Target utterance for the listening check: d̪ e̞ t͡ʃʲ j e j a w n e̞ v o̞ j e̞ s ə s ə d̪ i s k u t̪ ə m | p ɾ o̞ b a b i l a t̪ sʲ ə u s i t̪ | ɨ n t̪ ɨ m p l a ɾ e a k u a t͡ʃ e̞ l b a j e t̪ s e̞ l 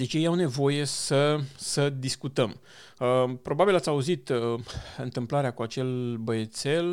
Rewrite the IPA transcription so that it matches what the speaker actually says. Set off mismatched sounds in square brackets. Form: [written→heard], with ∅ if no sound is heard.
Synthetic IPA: d̪ e̞ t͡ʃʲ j e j a w n e̞ v o̞ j e̞ s ə s ə d̪ i s k u t̪ ə m | p ɾ o̞ b a b i l a t̪ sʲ [ə→a] u [s→z] i t̪ | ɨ n t̪ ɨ m p l a ɾ e a k u a t͡ʃ e̞ l b [a→ə] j e t̪ s e̞ l